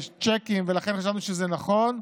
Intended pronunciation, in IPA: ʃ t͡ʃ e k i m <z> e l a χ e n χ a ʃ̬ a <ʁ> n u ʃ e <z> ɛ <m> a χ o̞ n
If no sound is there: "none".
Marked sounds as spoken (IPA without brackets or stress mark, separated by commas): v, v, z, n